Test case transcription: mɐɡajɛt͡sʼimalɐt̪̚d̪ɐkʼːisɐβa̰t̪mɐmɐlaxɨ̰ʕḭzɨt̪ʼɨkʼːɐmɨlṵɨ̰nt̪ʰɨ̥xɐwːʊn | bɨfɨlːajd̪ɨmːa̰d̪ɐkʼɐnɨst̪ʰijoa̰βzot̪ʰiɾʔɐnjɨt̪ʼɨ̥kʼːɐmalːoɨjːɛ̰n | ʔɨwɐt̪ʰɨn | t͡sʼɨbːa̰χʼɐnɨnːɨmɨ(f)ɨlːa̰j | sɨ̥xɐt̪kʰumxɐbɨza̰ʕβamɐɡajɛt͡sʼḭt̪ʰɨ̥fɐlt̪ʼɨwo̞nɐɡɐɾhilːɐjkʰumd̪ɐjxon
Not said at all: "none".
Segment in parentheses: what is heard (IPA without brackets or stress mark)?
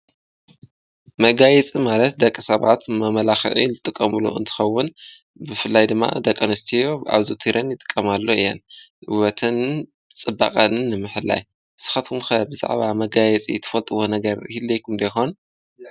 ħ